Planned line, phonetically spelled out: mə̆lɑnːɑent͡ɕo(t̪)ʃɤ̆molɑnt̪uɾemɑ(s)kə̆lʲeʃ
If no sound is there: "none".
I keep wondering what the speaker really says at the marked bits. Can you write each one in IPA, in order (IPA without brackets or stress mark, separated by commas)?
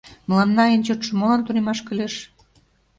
t̪, ʃ